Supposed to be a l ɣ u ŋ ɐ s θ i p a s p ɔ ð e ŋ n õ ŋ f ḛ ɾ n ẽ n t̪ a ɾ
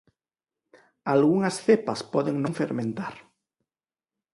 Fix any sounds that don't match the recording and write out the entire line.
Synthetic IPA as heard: a l ɣ u ŋ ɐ s θ e p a s p ɔ ð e ŋ n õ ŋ f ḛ ɾ m ẽ n t̪ a ɾ